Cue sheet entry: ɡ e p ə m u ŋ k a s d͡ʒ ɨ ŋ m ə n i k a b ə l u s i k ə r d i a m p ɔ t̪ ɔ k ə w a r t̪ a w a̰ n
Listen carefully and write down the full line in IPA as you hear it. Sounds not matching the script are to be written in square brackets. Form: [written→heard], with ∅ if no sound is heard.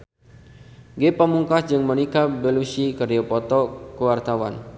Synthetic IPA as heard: ɡ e p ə m u ŋ k a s d͡ʒ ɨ ŋ m ə n i k a b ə l u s i k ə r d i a [m→∅] p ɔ t̪ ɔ k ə w a r t̪ a w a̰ n